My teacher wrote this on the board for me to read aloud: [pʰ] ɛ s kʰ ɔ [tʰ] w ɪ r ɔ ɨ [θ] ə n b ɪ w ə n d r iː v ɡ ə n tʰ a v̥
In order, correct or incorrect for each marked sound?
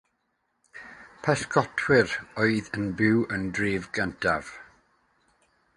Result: correct, correct, incorrect

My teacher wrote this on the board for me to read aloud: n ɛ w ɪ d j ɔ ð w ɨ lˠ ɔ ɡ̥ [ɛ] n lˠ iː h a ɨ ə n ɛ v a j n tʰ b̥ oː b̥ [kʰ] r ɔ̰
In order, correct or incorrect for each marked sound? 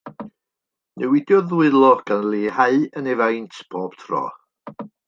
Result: incorrect, incorrect

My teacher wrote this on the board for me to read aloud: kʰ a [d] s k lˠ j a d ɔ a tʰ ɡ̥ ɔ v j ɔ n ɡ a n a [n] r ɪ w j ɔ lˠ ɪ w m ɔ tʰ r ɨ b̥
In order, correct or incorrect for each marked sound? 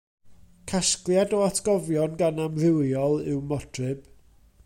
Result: incorrect, incorrect

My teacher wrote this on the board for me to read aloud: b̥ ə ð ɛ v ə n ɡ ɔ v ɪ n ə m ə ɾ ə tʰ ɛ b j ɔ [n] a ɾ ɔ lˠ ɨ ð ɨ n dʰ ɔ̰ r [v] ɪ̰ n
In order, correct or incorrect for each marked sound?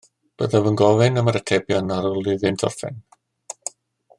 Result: correct, incorrect

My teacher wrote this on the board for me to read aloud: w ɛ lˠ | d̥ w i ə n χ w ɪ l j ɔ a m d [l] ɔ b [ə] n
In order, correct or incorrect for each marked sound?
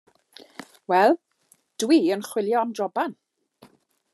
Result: incorrect, incorrect

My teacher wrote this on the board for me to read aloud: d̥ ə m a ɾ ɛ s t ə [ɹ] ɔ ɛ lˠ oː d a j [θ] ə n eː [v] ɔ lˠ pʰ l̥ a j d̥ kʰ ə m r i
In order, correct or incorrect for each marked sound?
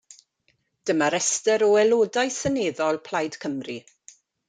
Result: incorrect, incorrect, incorrect

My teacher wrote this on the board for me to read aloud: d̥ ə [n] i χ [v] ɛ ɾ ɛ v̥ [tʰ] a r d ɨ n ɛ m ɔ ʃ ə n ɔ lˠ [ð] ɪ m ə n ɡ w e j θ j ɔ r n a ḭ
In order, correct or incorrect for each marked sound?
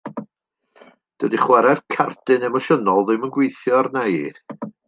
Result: incorrect, incorrect, incorrect, correct

